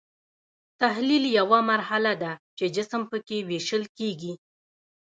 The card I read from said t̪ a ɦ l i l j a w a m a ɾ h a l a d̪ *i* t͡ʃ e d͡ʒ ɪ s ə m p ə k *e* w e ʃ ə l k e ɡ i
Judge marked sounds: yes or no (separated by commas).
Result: no, yes